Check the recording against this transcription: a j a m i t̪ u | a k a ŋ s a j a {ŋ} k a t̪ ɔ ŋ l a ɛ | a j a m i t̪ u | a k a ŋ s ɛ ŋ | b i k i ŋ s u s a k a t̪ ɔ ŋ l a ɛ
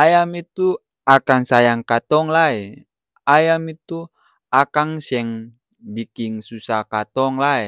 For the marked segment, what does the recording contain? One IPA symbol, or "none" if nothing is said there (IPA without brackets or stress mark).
ŋ